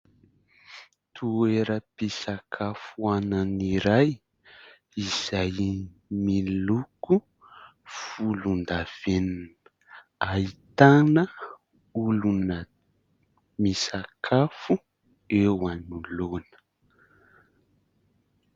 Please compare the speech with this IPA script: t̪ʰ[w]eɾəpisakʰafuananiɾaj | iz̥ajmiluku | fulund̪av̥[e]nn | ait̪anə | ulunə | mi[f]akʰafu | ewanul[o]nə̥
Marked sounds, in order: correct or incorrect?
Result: incorrect, correct, incorrect, correct

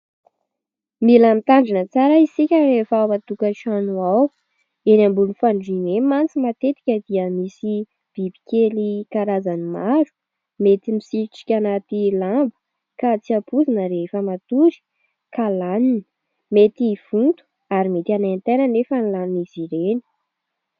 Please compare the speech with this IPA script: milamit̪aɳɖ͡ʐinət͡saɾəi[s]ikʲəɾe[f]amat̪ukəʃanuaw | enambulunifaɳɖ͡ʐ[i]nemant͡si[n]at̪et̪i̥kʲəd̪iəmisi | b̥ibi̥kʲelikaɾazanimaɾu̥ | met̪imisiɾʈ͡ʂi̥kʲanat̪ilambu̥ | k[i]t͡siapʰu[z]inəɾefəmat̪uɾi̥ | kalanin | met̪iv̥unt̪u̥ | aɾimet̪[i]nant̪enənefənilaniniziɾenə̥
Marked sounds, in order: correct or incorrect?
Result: correct, correct, correct, incorrect, incorrect, correct, incorrect

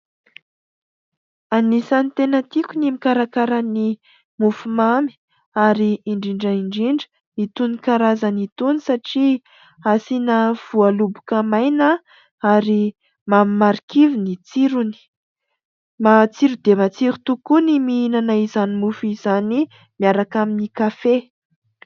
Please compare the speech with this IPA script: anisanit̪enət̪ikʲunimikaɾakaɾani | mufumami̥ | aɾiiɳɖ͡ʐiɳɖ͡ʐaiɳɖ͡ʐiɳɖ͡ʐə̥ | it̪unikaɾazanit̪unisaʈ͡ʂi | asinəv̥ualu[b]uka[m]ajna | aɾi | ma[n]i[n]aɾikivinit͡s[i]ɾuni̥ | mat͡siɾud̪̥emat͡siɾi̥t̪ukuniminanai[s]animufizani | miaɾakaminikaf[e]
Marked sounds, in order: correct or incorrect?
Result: correct, correct, incorrect, incorrect, correct, incorrect, correct

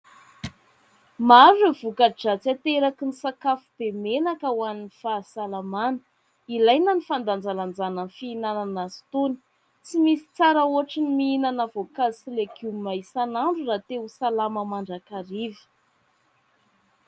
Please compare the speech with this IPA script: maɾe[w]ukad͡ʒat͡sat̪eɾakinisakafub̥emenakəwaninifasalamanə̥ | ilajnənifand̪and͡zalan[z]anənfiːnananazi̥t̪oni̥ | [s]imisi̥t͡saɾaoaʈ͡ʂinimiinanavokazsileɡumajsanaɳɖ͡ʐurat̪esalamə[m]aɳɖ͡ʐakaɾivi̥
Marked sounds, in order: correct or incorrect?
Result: incorrect, incorrect, incorrect, correct

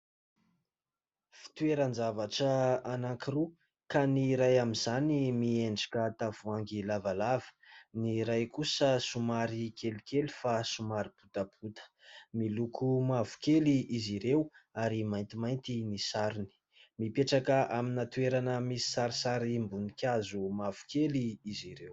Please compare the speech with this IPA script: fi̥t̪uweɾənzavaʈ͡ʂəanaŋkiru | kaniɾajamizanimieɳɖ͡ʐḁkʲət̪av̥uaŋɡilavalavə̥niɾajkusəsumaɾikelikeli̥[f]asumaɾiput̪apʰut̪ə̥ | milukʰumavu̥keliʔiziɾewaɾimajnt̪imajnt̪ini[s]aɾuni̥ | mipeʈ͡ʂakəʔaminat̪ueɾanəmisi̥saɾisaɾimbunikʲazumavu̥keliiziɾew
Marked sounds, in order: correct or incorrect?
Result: correct, correct

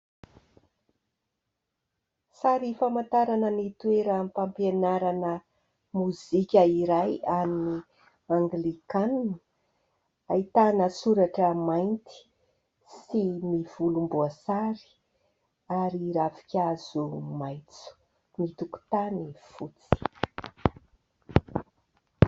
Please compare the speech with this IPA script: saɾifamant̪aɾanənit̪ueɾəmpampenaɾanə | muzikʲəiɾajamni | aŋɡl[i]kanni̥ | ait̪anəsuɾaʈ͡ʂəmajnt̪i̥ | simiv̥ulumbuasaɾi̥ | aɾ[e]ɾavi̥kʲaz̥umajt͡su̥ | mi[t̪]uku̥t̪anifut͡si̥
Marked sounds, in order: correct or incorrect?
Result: correct, incorrect, correct

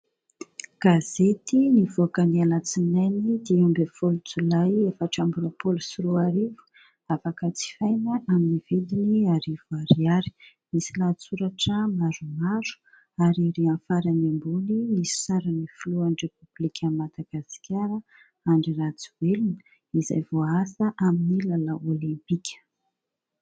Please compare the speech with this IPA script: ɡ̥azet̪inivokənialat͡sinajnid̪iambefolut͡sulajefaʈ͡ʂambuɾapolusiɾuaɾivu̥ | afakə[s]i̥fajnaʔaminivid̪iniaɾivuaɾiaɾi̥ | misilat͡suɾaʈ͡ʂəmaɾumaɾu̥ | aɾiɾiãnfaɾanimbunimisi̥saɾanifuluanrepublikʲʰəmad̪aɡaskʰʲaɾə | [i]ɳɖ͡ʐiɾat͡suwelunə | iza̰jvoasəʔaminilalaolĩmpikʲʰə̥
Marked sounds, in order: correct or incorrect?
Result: incorrect, incorrect

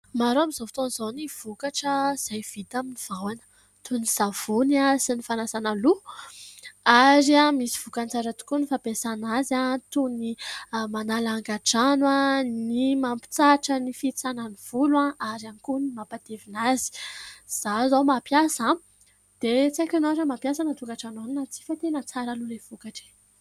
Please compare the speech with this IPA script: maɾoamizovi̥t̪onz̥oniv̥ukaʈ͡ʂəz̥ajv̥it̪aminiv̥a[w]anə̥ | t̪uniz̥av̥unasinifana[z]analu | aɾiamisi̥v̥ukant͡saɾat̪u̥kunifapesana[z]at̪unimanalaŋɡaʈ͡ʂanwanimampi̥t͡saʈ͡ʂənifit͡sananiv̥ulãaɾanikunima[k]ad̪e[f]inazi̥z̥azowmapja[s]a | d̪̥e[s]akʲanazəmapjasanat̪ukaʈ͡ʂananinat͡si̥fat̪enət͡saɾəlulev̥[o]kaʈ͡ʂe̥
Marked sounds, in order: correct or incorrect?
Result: correct, incorrect, correct, incorrect, incorrect, correct, incorrect, incorrect

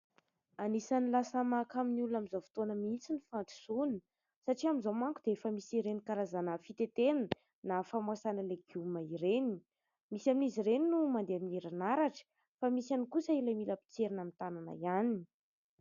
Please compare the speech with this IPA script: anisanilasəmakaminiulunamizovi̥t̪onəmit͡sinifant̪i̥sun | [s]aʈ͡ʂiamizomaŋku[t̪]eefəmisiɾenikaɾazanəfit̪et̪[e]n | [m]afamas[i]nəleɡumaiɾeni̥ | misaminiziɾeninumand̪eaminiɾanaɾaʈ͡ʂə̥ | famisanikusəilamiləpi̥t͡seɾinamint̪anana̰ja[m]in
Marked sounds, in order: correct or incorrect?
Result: correct, incorrect, correct, incorrect, incorrect, incorrect

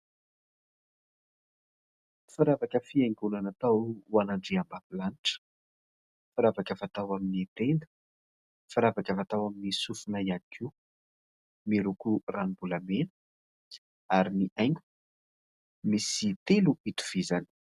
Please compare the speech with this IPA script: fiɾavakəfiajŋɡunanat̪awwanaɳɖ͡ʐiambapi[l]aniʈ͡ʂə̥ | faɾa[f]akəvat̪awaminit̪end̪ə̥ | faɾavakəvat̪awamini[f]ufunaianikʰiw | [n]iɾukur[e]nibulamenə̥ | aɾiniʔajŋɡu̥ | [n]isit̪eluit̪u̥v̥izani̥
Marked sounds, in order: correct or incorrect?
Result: correct, incorrect, incorrect, incorrect, incorrect, incorrect

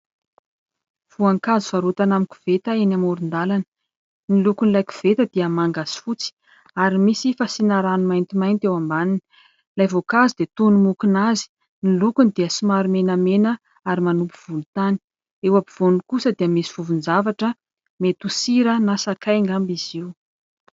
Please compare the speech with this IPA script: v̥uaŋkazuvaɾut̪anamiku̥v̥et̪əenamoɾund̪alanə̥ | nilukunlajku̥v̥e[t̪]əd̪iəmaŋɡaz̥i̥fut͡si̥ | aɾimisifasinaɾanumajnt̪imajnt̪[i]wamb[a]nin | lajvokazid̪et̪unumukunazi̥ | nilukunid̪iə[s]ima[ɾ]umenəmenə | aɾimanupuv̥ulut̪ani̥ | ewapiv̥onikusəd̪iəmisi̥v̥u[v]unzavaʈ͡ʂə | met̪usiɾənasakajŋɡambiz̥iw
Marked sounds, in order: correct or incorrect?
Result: correct, incorrect, correct, correct, correct, correct

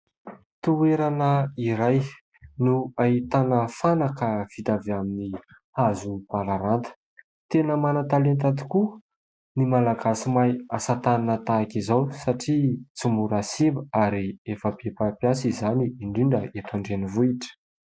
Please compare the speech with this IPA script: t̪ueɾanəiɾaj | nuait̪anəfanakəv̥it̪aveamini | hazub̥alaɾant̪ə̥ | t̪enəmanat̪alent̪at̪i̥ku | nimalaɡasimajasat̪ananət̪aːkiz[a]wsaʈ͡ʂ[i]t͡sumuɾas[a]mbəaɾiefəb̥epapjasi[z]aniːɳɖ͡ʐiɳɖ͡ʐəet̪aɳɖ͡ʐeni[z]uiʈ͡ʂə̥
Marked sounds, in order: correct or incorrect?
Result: correct, correct, incorrect, correct, incorrect

